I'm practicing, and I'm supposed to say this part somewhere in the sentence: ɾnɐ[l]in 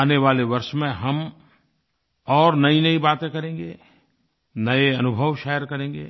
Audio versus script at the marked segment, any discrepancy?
yes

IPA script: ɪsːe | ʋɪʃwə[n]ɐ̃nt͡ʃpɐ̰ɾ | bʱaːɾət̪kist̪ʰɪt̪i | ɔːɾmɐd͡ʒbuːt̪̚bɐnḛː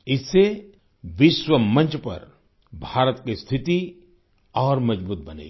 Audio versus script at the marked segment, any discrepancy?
yes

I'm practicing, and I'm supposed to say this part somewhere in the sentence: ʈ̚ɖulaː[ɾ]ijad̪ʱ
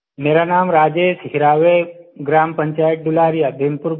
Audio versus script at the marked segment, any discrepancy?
no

